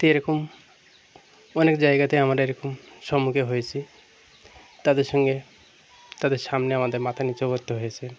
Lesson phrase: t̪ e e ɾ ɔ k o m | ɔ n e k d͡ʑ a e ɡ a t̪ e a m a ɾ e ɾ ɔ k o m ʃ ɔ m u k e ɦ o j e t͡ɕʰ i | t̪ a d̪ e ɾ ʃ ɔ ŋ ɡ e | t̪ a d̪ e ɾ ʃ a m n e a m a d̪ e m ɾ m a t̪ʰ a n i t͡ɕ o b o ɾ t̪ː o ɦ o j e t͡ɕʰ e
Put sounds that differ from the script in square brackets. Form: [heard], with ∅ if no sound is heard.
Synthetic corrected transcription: t̪ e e ɾ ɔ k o m | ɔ n e k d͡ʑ a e ɡ a t̪ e a m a ɾ e ɾ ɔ k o m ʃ ɔ m u k e ɦ o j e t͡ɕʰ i | t̪ a d̪ e ɾ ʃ ɔ ŋ ɡ e | t̪ a d̪ e ɾ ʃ a m n e a m a d̪ e [∅] ɾ m a t̪ʰ a n i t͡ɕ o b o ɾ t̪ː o ɦ o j e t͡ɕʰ e